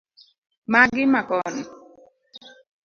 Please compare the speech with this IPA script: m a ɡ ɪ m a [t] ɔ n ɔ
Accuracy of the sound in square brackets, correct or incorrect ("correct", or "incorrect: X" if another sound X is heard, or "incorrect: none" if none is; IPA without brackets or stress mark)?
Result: incorrect: k